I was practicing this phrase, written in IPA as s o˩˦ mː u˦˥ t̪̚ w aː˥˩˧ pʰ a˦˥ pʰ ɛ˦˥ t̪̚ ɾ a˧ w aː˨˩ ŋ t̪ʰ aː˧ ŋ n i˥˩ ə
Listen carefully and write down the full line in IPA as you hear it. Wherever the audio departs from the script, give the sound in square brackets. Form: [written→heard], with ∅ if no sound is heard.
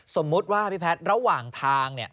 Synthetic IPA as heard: s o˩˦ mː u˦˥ t̪̚ w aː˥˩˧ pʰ [a˦˥→i˦˥] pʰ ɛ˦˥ t̪̚ ɾ a˧ w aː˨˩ ŋ t̪ʰ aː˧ ŋ n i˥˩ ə